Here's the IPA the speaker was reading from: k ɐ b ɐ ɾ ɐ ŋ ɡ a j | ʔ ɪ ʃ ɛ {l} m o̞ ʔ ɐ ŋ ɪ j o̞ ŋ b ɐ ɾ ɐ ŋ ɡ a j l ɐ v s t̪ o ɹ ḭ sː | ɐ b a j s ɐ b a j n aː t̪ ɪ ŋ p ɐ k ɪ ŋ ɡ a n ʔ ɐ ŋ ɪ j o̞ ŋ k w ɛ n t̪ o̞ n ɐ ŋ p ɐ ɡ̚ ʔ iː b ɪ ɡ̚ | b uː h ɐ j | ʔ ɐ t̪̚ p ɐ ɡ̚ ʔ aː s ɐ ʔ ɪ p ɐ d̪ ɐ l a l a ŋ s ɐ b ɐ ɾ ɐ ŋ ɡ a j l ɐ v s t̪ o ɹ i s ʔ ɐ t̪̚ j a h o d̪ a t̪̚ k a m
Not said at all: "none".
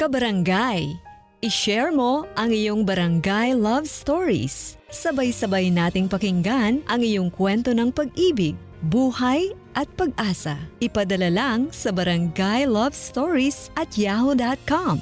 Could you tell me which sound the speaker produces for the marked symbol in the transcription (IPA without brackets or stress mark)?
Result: ɹ